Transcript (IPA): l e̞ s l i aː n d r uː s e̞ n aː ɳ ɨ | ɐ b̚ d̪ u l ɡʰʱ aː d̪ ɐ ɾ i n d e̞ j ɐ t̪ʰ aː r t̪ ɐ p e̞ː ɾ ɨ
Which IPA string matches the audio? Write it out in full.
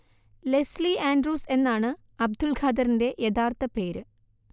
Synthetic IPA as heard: l e̞ s l i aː n d r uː s e̞ nː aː ɳ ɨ | ɐ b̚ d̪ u l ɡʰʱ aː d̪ ɐ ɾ i n d e̞ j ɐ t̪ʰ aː r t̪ ɐ p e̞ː ɾ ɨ